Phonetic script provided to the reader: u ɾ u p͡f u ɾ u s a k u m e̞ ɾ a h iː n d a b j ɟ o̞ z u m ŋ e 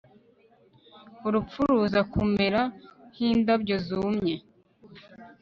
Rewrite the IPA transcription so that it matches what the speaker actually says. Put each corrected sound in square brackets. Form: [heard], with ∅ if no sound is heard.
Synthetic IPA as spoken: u ɾ u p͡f u ɾ u [z] a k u m e̞ ɾ a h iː n d a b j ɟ o̞ z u m [ɲ] e